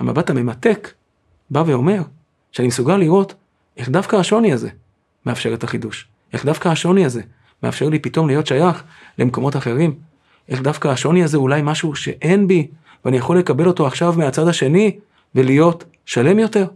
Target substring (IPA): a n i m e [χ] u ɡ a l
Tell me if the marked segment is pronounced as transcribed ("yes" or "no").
no